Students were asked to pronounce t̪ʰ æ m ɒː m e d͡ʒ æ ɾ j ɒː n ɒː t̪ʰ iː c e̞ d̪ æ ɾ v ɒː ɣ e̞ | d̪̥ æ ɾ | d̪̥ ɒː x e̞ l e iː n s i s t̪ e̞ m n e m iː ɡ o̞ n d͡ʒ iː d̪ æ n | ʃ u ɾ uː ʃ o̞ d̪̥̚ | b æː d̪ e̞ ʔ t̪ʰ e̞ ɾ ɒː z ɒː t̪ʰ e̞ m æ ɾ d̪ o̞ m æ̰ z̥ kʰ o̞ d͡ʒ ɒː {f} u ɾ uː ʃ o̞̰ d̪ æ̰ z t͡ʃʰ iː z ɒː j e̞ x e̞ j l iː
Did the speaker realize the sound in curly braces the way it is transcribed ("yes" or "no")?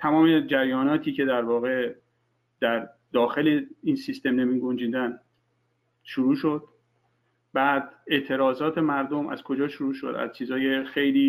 no